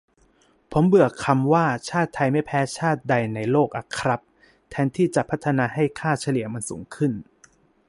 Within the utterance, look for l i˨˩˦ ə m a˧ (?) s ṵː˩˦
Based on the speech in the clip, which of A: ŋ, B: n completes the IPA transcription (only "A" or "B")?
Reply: B